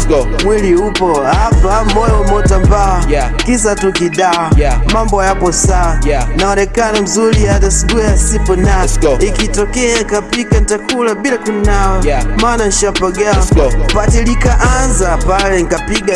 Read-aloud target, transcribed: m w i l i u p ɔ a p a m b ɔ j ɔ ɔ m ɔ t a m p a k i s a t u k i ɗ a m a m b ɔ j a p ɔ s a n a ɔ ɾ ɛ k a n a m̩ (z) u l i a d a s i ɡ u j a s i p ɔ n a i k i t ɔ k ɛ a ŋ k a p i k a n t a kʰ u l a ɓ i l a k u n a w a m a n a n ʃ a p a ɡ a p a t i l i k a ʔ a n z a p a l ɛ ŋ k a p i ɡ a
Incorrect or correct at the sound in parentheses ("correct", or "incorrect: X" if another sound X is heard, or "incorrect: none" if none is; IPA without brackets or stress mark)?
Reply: correct